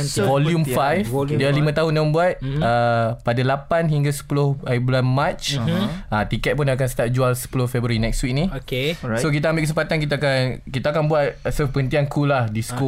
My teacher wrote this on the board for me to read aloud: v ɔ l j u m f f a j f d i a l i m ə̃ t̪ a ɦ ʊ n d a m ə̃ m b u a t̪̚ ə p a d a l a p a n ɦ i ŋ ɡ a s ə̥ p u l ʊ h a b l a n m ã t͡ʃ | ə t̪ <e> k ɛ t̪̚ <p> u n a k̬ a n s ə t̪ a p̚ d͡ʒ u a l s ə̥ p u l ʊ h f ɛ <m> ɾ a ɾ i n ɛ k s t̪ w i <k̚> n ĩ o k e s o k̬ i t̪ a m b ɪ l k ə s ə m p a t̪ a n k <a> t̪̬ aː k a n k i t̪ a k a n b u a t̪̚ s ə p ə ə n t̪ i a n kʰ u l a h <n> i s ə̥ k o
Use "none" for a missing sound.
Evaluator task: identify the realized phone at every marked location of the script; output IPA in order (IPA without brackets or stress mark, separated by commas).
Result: i, p, b, k̚, i, d